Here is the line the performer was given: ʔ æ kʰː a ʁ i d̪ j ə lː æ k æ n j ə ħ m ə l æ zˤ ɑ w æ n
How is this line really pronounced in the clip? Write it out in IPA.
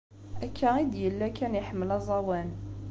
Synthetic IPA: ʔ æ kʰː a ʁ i d̪ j ə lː æ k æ n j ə ħ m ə l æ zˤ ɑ w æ n